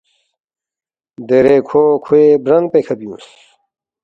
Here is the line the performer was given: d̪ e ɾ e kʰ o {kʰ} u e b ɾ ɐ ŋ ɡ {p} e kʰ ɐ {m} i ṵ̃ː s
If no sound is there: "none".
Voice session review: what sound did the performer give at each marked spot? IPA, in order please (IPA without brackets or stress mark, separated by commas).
kʰ, p, b